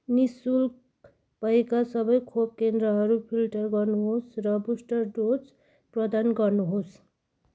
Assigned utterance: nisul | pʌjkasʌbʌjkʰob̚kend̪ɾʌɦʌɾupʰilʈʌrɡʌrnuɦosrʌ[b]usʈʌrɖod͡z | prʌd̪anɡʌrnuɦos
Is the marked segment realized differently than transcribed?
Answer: no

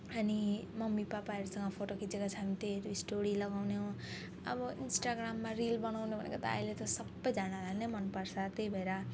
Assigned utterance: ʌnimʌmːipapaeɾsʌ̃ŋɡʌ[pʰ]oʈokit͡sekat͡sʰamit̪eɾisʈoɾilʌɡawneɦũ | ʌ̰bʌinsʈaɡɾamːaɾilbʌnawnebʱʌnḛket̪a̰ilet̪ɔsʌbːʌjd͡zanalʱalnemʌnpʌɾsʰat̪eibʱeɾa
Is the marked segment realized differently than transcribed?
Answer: no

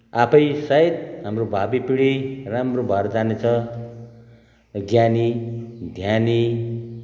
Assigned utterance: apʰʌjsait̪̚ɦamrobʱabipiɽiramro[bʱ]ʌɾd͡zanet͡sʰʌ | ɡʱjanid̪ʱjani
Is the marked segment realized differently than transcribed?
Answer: no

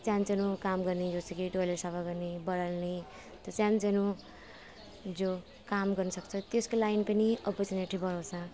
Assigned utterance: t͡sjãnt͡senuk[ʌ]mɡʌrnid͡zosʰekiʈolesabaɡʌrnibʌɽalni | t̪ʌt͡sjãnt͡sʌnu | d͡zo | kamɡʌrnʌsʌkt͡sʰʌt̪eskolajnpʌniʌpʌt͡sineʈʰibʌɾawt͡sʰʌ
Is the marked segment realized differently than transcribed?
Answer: yes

